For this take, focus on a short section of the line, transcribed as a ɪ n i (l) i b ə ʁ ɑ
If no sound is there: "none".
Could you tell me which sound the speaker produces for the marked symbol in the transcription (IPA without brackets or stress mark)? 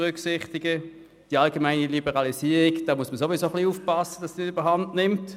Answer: l